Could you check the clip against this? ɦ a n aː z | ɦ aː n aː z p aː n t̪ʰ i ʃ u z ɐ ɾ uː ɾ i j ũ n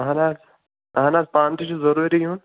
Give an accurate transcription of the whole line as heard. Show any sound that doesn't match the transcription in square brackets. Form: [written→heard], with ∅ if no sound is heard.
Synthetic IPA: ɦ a n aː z | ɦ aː n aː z p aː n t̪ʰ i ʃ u z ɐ ɾ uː ɾ i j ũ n